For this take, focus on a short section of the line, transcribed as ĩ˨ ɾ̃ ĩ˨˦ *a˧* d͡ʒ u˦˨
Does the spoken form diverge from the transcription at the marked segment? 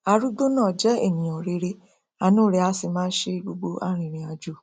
no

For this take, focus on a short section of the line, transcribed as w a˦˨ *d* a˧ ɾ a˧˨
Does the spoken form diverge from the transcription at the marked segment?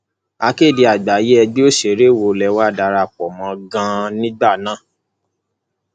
no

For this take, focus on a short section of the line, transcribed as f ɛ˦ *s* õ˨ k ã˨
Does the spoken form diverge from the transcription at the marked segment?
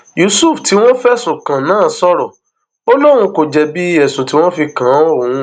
no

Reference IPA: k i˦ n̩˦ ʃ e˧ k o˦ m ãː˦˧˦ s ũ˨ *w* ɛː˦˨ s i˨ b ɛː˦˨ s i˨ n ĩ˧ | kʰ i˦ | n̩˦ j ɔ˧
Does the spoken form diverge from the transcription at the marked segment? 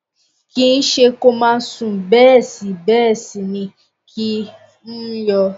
yes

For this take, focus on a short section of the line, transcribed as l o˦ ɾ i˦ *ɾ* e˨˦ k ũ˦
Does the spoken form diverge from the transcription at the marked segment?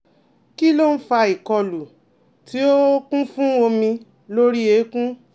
yes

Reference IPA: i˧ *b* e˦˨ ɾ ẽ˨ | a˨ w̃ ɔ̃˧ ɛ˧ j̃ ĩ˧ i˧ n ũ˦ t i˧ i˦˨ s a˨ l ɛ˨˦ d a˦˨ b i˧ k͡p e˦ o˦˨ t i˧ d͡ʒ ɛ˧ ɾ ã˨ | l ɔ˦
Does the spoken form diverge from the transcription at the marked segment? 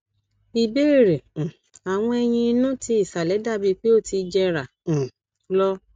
no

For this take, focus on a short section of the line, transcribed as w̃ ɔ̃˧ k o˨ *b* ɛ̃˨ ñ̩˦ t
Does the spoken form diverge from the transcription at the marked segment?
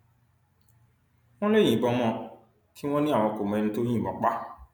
yes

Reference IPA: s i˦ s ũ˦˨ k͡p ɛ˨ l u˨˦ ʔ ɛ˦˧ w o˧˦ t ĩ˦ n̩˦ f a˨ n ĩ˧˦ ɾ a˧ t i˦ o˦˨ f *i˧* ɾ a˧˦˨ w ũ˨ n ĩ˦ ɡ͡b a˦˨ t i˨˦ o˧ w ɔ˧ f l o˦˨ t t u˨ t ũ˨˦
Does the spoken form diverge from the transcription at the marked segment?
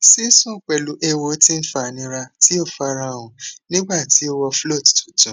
yes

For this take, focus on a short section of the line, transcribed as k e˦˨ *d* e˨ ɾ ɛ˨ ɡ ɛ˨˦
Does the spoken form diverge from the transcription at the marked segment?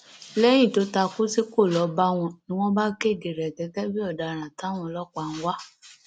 no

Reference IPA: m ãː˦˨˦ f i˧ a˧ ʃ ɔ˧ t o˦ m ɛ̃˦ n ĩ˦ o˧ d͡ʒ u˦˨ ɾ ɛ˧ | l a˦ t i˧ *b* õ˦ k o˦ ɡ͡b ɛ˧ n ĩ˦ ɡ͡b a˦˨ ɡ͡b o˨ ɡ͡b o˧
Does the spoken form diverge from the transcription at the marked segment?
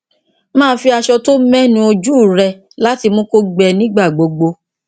yes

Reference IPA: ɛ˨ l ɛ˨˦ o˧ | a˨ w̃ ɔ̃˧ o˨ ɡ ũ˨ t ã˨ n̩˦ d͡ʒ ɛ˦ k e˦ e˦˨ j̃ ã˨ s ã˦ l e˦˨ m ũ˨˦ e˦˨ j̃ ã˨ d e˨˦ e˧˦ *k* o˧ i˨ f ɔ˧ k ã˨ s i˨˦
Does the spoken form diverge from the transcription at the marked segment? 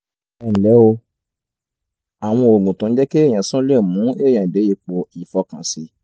yes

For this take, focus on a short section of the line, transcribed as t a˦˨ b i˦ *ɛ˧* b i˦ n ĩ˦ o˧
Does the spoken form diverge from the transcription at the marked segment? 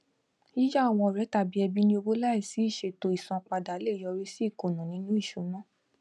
no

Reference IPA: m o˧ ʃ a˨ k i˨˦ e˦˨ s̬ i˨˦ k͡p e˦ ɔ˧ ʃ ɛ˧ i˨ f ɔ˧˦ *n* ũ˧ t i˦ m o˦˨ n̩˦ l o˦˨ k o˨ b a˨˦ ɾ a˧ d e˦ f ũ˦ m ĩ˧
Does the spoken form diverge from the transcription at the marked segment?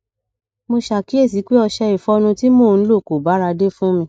no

